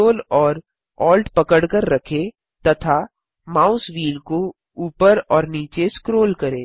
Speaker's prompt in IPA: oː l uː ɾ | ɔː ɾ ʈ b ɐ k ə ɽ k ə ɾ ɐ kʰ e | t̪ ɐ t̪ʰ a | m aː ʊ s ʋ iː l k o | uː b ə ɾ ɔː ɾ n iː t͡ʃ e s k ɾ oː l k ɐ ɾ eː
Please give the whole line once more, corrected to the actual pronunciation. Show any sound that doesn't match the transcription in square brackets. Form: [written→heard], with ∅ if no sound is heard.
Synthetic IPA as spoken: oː l [uː→ɔː] ɾ | ɔː [ɾ→l] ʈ [b→p] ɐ k ə ɽ k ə [ɾ→ɾː] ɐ kʰ e | t̪ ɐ t̪ʰ a | m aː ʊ s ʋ iː l k o | uː [b→p] ə ɾ ɔː ɾ n iː t͡ʃ e s k ɾ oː l k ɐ ɾ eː